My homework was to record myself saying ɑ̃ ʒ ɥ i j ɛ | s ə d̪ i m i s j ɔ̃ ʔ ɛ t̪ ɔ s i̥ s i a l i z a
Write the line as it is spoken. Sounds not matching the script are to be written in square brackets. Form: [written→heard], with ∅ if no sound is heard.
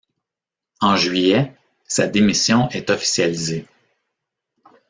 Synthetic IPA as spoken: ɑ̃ ʒ ɥ i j ɛ | s [ə→a] d̪ [i→e] m i s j ɔ̃ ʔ ɛ t̪ ɔ [s→f] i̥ s [i→j] a l i z [a→e]